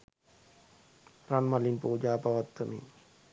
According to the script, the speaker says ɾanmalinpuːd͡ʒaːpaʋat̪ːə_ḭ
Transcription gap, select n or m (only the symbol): m